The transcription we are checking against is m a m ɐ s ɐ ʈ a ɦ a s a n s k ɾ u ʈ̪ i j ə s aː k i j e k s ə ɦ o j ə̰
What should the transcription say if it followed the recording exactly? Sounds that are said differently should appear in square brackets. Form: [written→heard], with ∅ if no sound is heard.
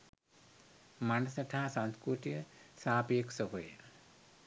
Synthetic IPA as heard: m a [m→n] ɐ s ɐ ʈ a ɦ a s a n s k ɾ u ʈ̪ i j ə s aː [k→p] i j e k s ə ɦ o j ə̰